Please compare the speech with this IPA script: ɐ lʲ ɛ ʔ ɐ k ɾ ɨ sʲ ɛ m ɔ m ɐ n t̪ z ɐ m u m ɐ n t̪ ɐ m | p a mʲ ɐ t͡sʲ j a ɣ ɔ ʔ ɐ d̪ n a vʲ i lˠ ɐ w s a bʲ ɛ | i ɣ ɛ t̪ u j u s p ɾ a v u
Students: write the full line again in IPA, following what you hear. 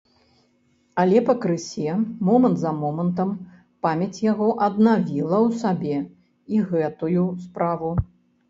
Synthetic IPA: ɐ lʲ ɛ p ɐ k ɾ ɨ sʲ ɛ m ɔ m ɐ n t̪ z ɐ m ɔ m ɐ n t̪ ɐ m | p a mʲ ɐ t͡sʲ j a ɣ ɔ ʔ ɐ d̪ n a vʲ i lˠ ɐ w s a bʲ ɛ | i ɣ ɛ t̪ u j u s p ɾ a v u